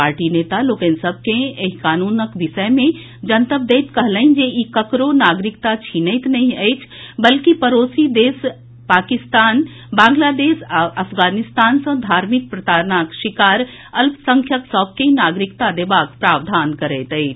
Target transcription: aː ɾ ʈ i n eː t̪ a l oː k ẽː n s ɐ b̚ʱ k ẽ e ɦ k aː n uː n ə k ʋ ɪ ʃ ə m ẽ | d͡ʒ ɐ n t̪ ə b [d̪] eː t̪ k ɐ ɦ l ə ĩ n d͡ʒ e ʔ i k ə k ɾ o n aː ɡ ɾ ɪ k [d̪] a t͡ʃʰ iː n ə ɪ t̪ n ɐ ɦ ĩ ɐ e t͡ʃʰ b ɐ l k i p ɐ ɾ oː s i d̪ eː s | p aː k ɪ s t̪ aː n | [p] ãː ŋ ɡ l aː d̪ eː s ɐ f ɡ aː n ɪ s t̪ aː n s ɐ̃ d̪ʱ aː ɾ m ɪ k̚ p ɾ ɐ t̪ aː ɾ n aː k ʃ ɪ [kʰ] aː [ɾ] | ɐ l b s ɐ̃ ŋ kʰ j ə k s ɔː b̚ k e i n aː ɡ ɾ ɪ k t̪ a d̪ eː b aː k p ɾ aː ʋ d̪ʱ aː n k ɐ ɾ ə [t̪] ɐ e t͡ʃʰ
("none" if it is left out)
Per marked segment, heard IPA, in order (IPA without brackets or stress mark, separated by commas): d̪, t̪, b, k, ɾ, t̪